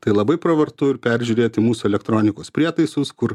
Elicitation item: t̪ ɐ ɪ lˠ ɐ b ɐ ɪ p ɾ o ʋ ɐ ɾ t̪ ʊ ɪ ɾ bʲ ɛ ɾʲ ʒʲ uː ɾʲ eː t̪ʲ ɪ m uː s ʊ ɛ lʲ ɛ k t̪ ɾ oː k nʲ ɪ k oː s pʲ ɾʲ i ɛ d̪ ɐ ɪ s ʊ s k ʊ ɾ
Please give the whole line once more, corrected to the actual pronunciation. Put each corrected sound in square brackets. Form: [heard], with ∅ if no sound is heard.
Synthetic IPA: t̪ ɐ ɪ lˠ ɐ b ɐ ɪ p ɾ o ʋ ɐ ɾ t̪ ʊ ɪ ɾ [pʲ] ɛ ɾʲ ʒʲ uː ɾʲ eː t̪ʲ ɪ m uː s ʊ ɛ lʲ ɛ k t̪ ɾ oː [∅] nʲ ɪ k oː s pʲ ɾʲ i ɛ [t̪] ɐ ɪ s ʊ s k ʊ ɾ